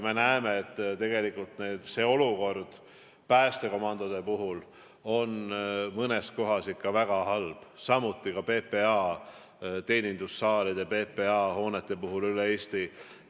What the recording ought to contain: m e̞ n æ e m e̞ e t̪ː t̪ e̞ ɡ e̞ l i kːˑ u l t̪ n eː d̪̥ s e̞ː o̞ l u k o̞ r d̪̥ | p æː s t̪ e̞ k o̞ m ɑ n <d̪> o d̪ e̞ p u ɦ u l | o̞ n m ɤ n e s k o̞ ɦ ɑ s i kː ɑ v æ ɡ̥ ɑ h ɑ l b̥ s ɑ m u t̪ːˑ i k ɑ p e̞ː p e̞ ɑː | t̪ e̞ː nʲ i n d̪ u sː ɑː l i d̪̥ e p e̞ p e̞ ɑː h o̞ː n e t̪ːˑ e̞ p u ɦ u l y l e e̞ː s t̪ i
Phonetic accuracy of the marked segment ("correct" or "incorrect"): correct